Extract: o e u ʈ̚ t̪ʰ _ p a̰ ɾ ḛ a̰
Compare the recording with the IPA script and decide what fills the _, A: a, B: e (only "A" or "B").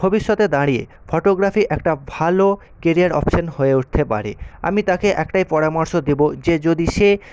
B